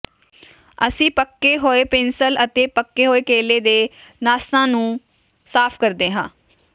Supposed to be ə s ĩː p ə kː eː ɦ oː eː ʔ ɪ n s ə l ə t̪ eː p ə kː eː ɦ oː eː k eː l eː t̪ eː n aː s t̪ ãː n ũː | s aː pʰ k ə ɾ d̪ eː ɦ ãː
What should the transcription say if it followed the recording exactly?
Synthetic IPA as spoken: ə s ĩː p ə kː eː ɦ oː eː p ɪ n s ə l ə t̪ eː p ə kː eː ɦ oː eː k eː l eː d̪ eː n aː s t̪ ãː n ũː | s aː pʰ k ə ɾ d̪ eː ɦ ãː